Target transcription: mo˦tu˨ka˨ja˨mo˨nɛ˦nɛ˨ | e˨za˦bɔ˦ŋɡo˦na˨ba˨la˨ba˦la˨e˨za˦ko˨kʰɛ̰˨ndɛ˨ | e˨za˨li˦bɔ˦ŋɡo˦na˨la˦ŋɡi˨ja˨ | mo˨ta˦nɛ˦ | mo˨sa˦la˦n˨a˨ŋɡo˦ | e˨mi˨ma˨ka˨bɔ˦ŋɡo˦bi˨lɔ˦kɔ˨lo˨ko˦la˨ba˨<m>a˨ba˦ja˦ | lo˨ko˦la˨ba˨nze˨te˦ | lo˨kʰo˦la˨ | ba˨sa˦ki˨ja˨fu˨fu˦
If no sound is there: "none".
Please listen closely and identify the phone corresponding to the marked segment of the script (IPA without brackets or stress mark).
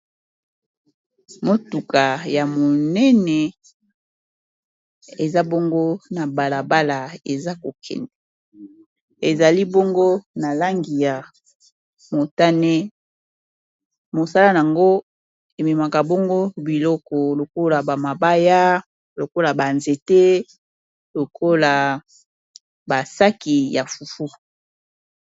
m